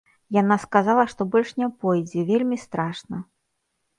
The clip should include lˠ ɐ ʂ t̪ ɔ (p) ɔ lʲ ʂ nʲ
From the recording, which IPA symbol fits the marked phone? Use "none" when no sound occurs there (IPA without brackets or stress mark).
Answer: b